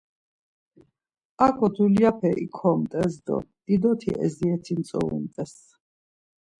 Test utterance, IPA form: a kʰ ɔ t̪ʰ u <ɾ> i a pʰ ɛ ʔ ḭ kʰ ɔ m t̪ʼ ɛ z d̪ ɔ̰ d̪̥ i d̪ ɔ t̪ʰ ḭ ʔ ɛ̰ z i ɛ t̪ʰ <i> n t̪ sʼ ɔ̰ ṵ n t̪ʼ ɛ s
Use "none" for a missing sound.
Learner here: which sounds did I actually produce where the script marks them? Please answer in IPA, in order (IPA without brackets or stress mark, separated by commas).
l, i